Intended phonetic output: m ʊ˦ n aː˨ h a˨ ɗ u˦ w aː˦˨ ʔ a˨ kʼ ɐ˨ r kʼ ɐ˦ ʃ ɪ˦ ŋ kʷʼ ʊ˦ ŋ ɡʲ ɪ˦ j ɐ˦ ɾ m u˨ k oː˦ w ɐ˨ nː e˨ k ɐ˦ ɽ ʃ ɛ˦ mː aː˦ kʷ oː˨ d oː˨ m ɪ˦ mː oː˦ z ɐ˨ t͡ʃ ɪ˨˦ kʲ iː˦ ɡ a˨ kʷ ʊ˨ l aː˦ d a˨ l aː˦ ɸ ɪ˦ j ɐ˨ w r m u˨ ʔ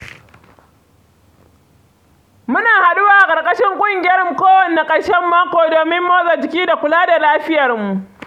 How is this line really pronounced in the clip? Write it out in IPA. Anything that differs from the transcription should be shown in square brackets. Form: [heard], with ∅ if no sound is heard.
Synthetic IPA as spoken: m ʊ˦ n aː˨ h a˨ ɗ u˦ w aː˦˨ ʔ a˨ kʼ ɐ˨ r kʼ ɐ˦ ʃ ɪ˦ ŋ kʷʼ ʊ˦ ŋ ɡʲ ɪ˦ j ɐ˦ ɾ m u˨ k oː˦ w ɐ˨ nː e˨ [kʼ] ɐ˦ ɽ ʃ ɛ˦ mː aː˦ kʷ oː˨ d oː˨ m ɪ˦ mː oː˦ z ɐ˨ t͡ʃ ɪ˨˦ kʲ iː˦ [d] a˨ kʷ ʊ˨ l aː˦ d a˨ l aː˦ ɸ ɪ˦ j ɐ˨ [∅] r m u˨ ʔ